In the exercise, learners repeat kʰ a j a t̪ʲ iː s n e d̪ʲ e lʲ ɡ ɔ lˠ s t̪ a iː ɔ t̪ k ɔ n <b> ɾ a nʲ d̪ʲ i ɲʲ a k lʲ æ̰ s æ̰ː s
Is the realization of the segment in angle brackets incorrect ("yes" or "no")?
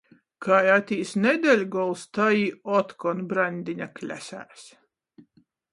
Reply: no